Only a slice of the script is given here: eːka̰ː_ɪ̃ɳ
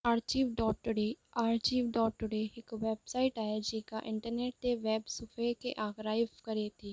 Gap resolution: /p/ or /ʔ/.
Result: ʔ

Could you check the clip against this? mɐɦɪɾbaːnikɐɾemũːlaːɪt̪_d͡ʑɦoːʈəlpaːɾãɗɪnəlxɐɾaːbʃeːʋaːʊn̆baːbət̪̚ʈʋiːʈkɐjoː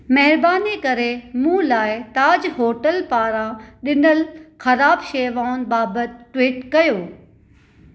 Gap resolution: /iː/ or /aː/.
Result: aː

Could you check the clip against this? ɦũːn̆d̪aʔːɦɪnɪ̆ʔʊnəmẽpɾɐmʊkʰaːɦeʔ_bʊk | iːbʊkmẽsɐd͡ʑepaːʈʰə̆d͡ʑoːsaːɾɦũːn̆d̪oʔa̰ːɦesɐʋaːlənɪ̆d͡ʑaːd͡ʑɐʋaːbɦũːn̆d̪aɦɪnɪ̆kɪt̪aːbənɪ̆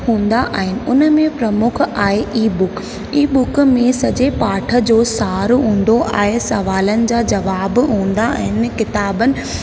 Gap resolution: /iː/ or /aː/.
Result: iː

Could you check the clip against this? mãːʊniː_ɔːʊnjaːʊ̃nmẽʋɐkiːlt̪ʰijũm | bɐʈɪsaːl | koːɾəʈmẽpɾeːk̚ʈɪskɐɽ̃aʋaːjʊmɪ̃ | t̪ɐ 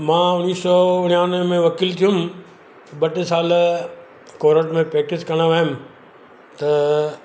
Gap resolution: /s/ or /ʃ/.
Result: s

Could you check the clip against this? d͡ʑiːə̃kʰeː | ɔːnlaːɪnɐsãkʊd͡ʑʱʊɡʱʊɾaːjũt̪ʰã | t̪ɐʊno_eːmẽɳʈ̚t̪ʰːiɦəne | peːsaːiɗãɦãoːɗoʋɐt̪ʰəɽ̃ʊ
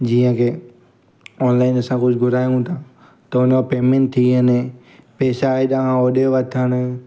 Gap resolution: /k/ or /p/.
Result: p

